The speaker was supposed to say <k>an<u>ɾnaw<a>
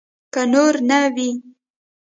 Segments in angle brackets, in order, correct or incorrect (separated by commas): correct, incorrect, incorrect